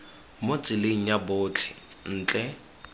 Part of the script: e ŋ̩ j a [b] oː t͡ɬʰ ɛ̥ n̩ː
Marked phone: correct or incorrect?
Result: correct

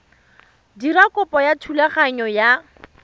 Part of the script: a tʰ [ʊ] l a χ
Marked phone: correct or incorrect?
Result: incorrect: u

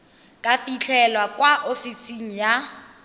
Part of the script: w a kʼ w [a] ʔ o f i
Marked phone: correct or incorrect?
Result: correct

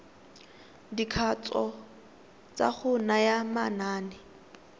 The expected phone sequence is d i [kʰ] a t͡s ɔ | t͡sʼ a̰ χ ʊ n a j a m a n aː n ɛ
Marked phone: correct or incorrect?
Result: correct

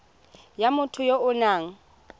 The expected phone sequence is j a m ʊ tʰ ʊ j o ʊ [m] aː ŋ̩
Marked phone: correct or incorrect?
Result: incorrect: n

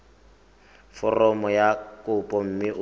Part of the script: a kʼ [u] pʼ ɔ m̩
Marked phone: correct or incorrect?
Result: incorrect: ʊ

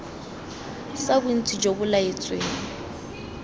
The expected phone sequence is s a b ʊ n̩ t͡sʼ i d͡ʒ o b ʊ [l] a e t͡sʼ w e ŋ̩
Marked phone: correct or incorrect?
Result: correct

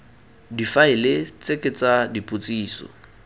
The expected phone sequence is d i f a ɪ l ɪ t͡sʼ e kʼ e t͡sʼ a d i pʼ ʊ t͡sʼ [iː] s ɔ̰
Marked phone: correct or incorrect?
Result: correct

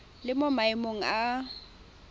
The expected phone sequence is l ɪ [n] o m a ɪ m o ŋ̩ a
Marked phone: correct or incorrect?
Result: incorrect: m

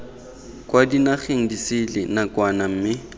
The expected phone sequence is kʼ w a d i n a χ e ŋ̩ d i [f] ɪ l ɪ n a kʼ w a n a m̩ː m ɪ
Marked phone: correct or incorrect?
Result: incorrect: s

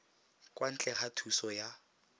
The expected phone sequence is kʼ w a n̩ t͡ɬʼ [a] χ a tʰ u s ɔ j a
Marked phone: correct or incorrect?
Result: incorrect: ɛ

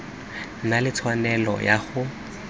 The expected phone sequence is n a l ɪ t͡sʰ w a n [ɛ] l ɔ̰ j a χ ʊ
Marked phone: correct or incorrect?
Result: correct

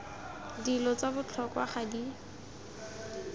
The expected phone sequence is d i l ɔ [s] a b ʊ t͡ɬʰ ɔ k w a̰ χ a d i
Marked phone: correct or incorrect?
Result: incorrect: t͡s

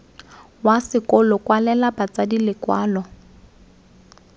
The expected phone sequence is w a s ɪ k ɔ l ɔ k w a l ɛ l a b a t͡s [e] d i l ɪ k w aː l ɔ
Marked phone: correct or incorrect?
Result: incorrect: a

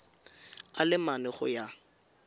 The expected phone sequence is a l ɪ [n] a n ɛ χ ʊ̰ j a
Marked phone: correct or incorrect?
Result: incorrect: m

